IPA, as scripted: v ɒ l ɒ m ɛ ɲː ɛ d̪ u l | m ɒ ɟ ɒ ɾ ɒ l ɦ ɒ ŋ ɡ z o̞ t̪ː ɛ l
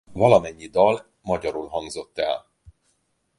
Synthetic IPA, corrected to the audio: v ɒ l ɒ m ɛ ɲː i d̪ ɒ l | m ɒ ɟ ɒ ɾ u l ɦ ɒ ŋ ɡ z o̞ t̪ː ɛ l